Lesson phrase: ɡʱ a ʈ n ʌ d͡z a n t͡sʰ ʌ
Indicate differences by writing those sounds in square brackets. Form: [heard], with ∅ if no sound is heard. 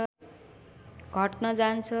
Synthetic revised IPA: ɡʱ [ʌ] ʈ n ʌ d͡z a n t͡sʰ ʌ